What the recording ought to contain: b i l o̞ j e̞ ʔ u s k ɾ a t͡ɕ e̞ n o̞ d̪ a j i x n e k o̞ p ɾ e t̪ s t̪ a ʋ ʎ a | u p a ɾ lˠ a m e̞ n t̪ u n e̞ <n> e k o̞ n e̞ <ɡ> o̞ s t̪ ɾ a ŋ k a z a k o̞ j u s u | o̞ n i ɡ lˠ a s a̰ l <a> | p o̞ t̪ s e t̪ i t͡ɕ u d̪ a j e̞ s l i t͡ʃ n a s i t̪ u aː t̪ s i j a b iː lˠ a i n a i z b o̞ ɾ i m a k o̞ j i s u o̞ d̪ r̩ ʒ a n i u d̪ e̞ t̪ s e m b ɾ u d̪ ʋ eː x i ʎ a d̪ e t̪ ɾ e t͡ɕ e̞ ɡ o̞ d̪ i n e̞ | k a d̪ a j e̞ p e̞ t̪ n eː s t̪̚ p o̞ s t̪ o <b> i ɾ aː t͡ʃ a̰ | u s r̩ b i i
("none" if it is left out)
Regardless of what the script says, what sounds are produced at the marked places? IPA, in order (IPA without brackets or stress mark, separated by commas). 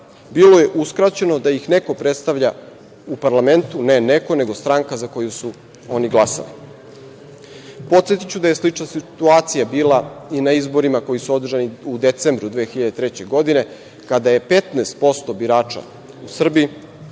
n, ɡ, i, b